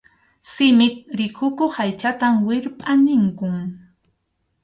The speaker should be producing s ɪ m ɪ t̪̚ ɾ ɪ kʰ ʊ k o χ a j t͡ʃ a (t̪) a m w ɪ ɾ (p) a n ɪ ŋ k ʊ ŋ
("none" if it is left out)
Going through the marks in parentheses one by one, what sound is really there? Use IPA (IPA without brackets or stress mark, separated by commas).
t̪, pʼ